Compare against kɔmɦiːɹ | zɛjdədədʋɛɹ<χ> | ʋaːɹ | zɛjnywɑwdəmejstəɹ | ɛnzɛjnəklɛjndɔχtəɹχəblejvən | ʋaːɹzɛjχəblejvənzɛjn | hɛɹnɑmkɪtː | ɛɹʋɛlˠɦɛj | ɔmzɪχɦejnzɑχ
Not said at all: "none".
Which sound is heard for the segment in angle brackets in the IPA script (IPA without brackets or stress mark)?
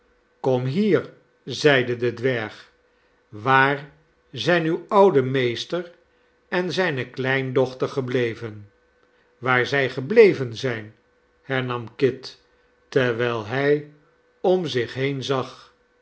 χ